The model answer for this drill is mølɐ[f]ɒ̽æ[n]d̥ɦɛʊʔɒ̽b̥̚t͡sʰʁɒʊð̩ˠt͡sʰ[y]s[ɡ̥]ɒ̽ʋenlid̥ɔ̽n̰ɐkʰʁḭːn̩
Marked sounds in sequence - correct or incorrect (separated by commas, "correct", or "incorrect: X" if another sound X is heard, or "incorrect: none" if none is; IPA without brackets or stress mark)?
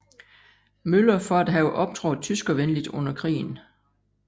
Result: correct, incorrect: none, correct, correct